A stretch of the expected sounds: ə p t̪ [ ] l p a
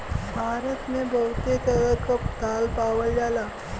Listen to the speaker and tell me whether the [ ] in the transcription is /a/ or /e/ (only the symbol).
a